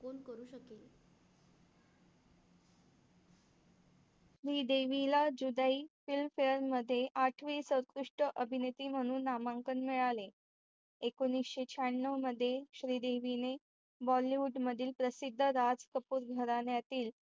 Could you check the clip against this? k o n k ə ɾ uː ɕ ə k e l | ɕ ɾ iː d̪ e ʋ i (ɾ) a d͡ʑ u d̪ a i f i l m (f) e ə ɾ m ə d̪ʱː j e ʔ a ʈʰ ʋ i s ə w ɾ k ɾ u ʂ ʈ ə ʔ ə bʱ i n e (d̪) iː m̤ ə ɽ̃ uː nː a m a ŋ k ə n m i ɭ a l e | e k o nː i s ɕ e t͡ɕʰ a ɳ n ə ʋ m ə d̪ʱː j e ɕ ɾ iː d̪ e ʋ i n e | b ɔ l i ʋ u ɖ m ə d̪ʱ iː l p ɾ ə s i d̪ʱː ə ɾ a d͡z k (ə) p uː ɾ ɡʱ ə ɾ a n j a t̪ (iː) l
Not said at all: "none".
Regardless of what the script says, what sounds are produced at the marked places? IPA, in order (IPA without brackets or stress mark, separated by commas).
l, f, t̪, ə, iː